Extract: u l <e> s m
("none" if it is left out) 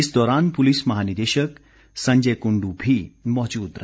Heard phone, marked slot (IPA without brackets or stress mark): i